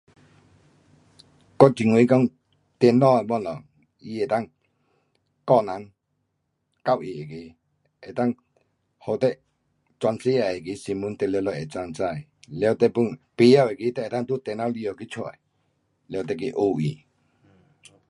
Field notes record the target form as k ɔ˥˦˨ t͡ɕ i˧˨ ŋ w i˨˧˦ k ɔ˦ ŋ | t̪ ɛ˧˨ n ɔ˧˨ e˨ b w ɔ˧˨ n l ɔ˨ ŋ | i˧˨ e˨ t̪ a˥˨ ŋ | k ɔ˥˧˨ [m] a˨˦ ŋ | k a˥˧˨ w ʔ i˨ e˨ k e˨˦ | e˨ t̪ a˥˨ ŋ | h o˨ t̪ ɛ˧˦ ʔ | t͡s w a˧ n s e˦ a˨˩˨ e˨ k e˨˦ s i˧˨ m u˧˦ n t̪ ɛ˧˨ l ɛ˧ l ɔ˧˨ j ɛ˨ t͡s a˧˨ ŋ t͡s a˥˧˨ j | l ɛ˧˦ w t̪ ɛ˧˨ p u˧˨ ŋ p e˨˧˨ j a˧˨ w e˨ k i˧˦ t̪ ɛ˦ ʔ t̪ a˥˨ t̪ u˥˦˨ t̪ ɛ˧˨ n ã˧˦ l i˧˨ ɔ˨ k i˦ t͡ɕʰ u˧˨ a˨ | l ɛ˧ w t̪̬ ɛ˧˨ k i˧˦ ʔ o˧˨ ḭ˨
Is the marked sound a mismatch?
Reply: yes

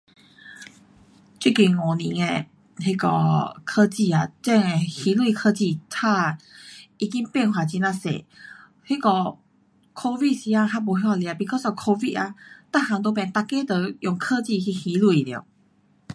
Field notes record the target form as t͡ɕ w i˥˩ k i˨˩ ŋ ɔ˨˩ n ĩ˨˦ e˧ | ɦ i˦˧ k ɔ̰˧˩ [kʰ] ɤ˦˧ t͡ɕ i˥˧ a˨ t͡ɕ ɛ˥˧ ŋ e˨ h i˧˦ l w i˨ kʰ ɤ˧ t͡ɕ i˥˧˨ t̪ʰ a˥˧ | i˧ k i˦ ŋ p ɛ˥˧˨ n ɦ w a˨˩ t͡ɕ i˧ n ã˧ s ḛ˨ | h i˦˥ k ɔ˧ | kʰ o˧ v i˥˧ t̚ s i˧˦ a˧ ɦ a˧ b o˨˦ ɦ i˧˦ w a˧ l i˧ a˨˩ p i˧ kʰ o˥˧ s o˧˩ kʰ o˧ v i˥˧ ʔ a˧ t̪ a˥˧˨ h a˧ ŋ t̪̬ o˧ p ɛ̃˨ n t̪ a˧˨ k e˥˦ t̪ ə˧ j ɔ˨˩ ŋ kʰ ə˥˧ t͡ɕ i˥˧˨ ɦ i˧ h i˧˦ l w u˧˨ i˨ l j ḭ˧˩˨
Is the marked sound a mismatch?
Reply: no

